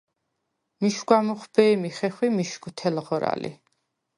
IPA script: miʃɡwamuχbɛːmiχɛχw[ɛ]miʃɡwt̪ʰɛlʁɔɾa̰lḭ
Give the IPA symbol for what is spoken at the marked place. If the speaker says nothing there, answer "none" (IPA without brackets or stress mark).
i